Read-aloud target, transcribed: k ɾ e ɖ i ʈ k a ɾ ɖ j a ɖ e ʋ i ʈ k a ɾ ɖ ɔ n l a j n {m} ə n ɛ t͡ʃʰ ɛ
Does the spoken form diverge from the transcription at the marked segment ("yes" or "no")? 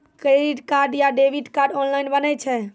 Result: yes